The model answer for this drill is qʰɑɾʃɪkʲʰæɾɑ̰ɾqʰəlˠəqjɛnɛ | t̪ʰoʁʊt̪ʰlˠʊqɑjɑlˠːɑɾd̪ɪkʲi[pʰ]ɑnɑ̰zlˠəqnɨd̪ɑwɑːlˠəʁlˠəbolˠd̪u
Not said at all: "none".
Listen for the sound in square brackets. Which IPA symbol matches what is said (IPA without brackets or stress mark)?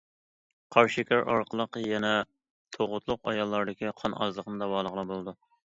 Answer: qʰ